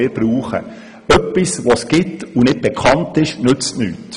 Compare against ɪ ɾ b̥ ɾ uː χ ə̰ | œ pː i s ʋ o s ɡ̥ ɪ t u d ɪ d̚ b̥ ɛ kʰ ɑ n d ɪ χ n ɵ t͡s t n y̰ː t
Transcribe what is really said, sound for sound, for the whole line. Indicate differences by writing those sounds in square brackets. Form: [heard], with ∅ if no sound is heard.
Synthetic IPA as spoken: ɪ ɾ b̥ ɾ uː χ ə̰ | œ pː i s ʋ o s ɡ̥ ɪ t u [n] ɪ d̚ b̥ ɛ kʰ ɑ n [t] ɪ [ʃ] n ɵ t͡s t n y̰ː t